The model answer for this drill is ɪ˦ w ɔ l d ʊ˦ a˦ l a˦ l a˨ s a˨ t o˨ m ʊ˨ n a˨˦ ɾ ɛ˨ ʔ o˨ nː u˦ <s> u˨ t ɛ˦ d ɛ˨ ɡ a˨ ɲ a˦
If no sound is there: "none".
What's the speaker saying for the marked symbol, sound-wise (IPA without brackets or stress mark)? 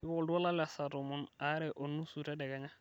s